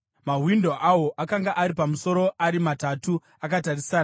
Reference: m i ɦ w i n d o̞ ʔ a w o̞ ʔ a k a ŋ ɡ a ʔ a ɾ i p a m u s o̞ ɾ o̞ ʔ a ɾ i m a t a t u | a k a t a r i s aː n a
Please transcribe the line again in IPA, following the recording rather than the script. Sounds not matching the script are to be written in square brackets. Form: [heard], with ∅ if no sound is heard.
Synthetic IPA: m [a] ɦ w i n d o̞ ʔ a w o̞ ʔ a k a ŋ ɡ a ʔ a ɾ i p a m u s o̞ ɾ o̞ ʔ a ɾ i m a t a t u | a k a t a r i s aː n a